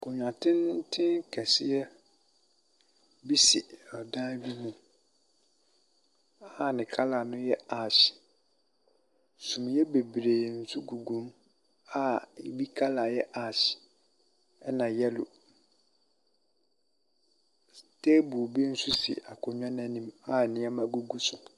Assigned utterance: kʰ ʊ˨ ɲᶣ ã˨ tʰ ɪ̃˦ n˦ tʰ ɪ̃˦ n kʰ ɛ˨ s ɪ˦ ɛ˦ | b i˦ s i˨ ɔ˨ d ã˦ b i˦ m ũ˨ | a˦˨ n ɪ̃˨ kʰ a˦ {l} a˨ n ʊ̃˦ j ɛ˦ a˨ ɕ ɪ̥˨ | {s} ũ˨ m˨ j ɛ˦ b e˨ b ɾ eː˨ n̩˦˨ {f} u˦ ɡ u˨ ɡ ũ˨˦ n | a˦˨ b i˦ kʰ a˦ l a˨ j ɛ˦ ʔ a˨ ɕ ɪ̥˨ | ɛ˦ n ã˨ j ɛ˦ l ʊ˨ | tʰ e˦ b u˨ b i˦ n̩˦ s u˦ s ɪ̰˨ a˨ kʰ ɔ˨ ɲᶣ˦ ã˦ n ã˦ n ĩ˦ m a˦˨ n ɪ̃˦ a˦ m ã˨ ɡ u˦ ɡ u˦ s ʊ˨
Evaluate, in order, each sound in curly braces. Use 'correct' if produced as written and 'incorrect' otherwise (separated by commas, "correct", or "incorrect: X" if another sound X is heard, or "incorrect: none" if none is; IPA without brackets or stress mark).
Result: correct, correct, incorrect: s